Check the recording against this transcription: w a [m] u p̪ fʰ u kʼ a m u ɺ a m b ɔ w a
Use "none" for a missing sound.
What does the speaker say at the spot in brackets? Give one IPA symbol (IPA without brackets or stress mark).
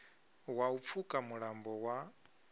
none